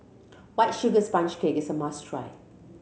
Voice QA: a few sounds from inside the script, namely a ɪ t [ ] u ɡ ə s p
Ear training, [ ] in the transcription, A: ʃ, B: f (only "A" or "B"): A